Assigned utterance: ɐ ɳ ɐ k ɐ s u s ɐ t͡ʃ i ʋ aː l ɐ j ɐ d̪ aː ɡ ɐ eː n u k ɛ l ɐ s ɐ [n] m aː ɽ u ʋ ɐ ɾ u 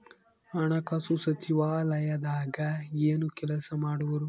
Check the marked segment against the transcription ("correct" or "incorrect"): incorrect